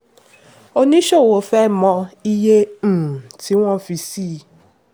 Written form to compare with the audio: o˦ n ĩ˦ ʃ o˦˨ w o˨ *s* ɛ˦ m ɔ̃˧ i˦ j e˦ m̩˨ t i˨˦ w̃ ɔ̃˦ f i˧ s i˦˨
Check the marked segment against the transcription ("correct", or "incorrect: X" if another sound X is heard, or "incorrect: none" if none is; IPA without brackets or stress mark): incorrect: f